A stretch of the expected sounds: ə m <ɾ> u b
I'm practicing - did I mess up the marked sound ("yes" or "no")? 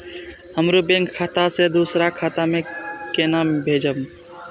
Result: no